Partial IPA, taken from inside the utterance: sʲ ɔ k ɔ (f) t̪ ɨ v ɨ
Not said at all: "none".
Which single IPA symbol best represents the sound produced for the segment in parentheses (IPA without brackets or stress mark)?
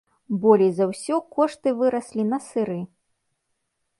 ʂ